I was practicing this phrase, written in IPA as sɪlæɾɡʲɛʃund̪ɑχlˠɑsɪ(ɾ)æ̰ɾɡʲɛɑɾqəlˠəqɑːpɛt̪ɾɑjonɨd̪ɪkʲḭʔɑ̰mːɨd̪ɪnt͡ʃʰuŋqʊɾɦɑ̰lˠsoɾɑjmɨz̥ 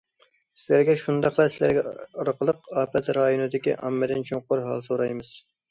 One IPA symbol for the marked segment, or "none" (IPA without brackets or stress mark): l